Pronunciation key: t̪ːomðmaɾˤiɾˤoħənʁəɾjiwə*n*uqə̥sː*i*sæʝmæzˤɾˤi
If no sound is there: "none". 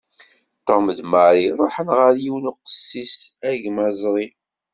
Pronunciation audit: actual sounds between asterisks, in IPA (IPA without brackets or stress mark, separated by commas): n, i